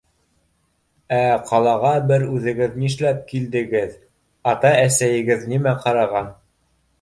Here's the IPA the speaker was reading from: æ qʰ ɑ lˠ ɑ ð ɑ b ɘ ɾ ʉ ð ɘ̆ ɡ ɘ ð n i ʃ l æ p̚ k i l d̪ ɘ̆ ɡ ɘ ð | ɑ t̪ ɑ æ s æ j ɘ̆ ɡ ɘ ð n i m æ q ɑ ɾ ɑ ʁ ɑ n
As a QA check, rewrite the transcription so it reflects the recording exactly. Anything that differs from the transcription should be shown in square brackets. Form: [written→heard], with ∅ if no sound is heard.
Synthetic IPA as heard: æ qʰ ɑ lˠ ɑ [ð→ʁ] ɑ b ɘ ɾ ʉ ð ɘ̆ ɡ ɘ ð n i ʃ l æ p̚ k i l d̪ ɘ̆ ɡ ɘ ð | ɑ t̪ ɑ æ s æ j ɘ̆ ɡ ɘ ð n i m æ q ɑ ɾ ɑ ʁ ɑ n

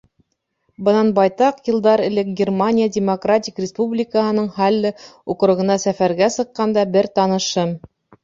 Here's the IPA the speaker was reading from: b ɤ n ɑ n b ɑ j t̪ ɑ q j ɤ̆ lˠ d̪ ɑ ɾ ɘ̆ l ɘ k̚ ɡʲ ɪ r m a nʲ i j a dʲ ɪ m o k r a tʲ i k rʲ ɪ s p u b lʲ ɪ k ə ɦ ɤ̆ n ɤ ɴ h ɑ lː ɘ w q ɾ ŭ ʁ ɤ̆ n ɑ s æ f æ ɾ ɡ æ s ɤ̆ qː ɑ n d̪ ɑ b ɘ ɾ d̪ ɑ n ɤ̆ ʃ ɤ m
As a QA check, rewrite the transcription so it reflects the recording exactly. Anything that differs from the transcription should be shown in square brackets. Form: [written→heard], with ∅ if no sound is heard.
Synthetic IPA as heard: b ɤ n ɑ n b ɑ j t̪ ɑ q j ɤ̆ lˠ d̪ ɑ ɾ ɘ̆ l ɘ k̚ ɡʲ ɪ r m a nʲ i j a dʲ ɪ m o k r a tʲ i k rʲ ɪ s p u b lʲ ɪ k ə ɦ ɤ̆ n ɤ ɴ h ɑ lː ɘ [w→u] q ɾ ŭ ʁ ɤ̆ n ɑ s æ f æ ɾ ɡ æ s ɤ̆ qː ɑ n d̪ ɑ b ɘ ɾ [d̪→t̪] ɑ n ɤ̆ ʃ ɤ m

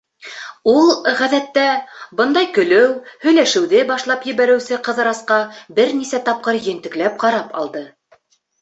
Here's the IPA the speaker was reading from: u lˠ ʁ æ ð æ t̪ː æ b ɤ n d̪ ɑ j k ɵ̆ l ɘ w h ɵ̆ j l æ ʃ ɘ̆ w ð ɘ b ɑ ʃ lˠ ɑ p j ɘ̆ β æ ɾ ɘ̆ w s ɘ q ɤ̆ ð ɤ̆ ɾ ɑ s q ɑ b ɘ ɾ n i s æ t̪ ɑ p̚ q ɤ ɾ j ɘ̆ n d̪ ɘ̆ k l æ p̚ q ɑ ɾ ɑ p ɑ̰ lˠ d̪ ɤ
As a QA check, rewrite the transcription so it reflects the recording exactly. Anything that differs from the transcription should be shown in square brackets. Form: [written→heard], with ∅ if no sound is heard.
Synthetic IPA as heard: u lˠ ʁ æ ð æ t̪ː æ b ɤ n d̪ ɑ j k ɵ̆ l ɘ w h ɵ̆ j l æ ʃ ɘ̆ w ð ɘ b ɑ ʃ lˠ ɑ p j ɘ̆ β æ ɾ ɘ̆ w s ɘ q ɤ̆ ð ɤ̆ ɾ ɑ s q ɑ b ɘ ɾ n i s æ t̪ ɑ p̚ q ɤ ɾ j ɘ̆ n [d̪→t̪] ɘ̆ k l æ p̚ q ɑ ɾ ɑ p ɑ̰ lˠ d̪ ɤ

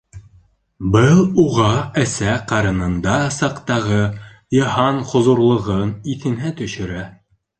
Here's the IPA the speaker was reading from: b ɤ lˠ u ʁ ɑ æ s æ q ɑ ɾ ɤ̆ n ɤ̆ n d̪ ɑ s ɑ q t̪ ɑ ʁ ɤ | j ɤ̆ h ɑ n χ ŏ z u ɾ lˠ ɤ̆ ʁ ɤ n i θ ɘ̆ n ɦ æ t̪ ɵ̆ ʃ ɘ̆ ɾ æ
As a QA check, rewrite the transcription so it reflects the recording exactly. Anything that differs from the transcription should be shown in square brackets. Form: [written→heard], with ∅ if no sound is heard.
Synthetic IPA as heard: b ɤ lˠ u ʁ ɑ æ s æ q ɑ ɾ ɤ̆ n ɤ̆ n d̪ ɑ s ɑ q t̪ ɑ ʁ ɤ | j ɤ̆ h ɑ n χ ŏ z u ɾ lˠ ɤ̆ ʁ ɤ n i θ ɘ̆ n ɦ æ t̪ ɵ̆ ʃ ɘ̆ ɾ æ

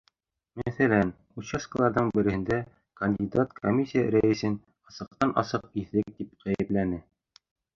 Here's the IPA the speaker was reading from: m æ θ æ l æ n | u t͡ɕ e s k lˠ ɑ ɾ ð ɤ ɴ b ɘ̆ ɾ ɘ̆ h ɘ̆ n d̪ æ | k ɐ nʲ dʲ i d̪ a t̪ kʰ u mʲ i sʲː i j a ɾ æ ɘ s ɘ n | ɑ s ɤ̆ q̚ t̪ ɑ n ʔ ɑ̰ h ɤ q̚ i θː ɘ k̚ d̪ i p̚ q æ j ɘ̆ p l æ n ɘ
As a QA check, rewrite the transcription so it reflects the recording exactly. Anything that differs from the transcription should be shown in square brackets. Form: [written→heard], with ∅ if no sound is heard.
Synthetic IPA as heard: m æ θ æ l æ n | u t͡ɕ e s k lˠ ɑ ɾ ð ɤ ɴ b ɘ̆ ɾ ɘ̆ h ɘ̆ n d̪ æ | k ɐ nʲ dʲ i d̪ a t̪ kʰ [u→o] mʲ i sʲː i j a ɾ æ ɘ s ɘ n | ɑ s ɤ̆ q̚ t̪ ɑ n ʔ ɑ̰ [h→s] ɤ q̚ i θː ɘ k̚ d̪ i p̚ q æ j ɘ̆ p l æ n ɘ

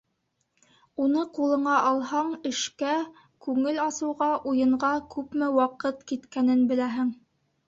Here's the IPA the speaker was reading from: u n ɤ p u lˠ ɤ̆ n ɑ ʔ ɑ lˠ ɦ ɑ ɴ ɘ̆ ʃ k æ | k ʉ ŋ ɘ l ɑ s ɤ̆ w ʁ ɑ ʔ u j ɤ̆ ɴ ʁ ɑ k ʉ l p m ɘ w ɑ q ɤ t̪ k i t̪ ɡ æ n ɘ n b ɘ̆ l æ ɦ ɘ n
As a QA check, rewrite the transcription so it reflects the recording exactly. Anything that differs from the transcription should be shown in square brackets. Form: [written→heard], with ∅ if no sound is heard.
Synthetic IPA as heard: u n ɤ [p→q] u lˠ ɤ̆ [n→ɴ] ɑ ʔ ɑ lˠ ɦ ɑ ɴ ɘ̆ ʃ k æ | k ʉ ŋ ɘ l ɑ s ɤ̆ w ʁ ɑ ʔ u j ɤ̆ ɴ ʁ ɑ k ʉ [l→∅] p m ɘ w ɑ q ɤ t̪ k i t̪ [ɡ→k] æ n ɘ n b ɘ̆ l æ ɦ ɘ [n→ŋ]

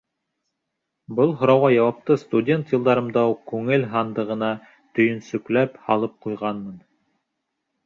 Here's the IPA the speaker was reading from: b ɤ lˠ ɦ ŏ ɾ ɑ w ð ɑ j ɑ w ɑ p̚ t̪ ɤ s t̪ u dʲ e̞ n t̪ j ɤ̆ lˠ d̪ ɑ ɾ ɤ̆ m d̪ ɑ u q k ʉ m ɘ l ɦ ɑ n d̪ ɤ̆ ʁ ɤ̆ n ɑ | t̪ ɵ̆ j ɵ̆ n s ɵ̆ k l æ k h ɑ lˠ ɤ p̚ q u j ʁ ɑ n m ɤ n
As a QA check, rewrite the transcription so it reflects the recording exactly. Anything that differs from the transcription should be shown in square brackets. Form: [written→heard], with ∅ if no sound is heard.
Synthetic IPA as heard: b ɤ lˠ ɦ ŏ ɾ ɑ w [ð→ʁ] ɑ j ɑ w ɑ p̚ t̪ ɤ s t̪ u dʲ e̞ n t̪ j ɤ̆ lˠ d̪ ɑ ɾ ɤ̆ m d̪ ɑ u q k ʉ [m→ŋ] ɘ l ɦ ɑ n d̪ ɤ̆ ʁ ɤ̆ n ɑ | t̪ ɵ̆ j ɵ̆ n s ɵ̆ k l æ [k→p] h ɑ lˠ ɤ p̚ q u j ʁ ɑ n m ɤ n

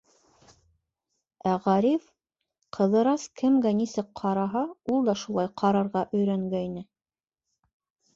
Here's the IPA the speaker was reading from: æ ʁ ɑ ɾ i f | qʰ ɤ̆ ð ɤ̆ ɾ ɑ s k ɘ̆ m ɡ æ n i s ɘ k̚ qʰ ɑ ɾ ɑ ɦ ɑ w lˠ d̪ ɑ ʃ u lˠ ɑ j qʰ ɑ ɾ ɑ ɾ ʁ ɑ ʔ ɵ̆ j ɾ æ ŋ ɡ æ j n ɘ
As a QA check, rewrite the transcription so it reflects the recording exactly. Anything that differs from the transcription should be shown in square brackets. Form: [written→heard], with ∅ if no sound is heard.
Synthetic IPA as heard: æ ʁ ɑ ɾ i f | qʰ ɤ̆ ð ɤ̆ ɾ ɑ s k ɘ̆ m ɡ æ n i s ɘ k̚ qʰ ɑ ɾ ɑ ɦ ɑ [w→u] lˠ d̪ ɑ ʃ u lˠ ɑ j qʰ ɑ ɾ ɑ ɾ ʁ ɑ ʔ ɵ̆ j ɾ æ ŋ ɡ æ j n ɘ

